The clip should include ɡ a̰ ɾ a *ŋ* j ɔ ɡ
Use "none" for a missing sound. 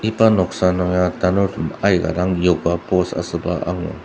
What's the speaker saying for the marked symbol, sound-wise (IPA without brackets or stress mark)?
ŋ